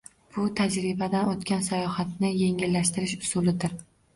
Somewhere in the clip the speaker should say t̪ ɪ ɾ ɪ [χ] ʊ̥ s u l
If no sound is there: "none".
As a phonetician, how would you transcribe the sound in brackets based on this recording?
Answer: ʃ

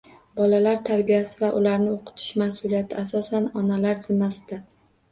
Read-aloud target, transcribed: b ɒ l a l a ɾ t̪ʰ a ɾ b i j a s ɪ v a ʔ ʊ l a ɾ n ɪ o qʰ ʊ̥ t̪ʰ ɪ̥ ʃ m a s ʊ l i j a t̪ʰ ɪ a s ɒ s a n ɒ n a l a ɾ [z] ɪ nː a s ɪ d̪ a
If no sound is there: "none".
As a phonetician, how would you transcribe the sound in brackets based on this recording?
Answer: z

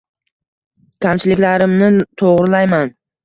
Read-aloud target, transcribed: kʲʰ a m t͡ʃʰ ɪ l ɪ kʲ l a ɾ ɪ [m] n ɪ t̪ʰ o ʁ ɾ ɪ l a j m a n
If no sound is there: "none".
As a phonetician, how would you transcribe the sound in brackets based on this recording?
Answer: m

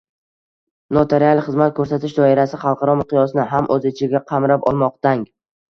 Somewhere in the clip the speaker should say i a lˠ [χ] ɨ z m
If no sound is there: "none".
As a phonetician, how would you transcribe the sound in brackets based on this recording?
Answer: χ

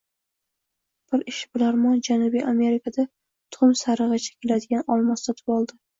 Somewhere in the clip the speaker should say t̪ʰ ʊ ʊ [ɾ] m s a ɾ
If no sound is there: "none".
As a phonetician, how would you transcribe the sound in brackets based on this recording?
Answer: none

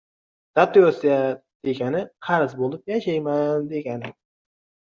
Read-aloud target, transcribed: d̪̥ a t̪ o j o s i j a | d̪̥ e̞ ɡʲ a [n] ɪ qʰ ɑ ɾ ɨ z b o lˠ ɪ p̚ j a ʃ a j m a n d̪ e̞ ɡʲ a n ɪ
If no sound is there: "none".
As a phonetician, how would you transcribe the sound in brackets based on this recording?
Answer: n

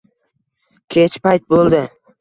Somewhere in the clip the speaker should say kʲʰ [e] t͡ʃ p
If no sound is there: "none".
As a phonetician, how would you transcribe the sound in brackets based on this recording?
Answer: e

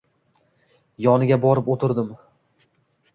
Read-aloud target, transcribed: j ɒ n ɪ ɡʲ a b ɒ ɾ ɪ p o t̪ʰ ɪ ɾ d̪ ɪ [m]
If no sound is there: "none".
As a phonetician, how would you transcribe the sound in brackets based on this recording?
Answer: m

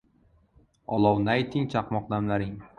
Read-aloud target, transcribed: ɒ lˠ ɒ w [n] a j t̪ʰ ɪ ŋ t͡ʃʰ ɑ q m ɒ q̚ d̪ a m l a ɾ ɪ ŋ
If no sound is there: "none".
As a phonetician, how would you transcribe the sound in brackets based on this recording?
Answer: n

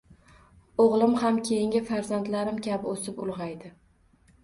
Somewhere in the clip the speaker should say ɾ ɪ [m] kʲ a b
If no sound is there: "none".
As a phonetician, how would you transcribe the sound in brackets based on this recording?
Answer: m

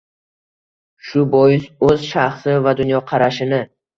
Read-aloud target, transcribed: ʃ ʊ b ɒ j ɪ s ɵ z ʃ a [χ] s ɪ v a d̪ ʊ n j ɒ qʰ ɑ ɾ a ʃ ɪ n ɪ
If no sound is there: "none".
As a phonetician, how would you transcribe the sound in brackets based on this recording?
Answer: χ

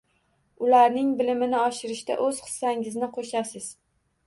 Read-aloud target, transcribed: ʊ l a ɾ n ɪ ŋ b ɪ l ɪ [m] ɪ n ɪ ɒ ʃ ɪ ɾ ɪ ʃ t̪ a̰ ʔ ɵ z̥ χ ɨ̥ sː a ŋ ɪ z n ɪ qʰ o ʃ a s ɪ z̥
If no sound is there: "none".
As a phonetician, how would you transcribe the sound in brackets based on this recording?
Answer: m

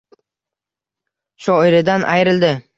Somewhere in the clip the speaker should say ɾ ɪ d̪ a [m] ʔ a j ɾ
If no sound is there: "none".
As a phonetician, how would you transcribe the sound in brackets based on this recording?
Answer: n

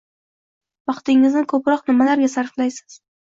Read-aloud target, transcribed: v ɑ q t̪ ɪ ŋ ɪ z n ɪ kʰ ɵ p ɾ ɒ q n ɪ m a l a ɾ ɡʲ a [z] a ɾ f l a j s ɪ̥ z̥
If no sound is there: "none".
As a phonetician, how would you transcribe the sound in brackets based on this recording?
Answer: s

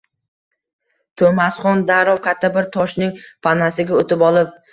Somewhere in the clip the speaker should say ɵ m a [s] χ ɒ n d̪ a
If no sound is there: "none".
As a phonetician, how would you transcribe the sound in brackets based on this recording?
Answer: s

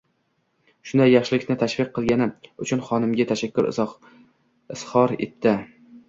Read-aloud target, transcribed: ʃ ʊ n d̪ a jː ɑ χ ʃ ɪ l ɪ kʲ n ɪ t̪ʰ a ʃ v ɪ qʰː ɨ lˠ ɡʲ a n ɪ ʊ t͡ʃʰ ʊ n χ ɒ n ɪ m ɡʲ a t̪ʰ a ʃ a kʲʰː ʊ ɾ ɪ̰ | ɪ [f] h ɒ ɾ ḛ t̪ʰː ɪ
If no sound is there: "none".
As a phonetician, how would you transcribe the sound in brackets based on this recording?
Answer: s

